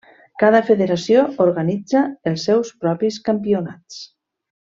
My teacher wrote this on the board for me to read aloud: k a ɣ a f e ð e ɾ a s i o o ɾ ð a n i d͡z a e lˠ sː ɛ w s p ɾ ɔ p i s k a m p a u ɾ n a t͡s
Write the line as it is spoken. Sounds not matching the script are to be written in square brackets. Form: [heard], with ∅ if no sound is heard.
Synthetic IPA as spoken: k a [ð] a f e ð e ɾ a s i o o ɾ [ɣ] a n i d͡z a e lˠ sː ɛ w s p ɾ ɔ p i s k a m p [i] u [∅] n a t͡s